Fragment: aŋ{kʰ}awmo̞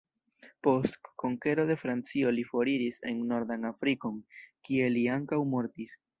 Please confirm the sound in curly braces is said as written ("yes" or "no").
no